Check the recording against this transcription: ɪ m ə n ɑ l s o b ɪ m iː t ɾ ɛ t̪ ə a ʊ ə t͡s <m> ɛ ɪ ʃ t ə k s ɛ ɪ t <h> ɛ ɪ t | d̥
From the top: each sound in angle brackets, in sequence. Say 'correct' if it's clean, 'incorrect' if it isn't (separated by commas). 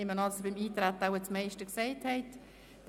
correct, correct